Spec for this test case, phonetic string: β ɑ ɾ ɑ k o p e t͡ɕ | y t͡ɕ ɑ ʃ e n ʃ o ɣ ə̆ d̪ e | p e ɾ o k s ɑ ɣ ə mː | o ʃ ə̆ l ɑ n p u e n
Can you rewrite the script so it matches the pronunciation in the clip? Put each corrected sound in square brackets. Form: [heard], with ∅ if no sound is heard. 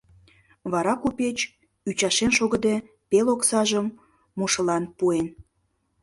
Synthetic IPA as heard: β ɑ ɾ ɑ k [u] p e t͡ɕ | y t͡ɕ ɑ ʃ e n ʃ o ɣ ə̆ d̪ e | p e [l] o k s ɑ [ʒ] ə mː | o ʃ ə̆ l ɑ n p u e n